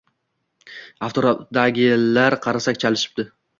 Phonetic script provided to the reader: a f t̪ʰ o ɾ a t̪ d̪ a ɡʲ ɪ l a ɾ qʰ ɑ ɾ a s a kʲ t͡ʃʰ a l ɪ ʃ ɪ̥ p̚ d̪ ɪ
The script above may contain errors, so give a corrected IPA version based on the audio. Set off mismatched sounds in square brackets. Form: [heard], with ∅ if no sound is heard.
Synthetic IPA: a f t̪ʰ o ɾ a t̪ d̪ a ɡʲ ɪ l a ɾ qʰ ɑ ɾ a s a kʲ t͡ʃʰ a l ɪ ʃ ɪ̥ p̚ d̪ ɪ